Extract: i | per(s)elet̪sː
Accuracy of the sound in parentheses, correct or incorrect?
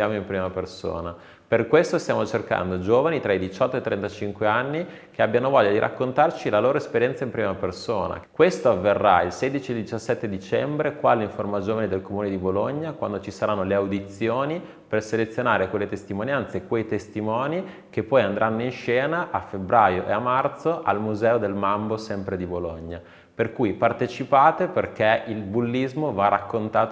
correct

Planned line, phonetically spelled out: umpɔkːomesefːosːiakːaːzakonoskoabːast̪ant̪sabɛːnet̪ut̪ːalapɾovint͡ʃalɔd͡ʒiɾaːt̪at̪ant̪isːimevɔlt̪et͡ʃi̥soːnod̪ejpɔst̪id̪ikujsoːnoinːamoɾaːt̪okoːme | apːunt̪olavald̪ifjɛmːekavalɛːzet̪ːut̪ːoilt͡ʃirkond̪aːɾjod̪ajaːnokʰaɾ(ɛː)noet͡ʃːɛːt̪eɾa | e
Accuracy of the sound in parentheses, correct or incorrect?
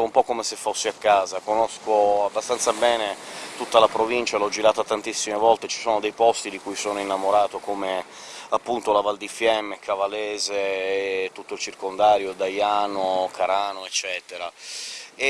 incorrect: aː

